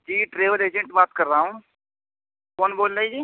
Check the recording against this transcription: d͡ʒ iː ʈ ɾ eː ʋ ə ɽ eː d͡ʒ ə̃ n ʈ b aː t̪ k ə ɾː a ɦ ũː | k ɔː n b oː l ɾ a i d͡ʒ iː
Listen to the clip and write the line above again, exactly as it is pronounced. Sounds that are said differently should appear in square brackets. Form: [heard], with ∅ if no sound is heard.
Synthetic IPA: d͡ʒ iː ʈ ɾ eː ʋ ə [l] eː d͡ʒ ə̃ [ɳ] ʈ b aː t̪ k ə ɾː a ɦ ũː | k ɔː n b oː l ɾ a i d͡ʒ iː